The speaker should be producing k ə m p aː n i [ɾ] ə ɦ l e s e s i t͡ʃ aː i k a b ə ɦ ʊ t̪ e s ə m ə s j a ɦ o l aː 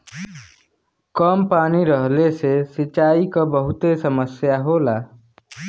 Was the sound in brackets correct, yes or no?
yes